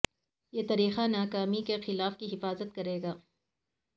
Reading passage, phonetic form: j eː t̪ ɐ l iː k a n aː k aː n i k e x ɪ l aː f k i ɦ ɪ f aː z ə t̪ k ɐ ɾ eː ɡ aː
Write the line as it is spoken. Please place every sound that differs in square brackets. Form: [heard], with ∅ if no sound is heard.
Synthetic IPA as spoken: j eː t̪ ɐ [ɾ] iː [x] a n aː k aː [m] i k e x ɪ l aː f k i ɦ ɪ f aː z ə t̪ k ɐ ɾ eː ɡ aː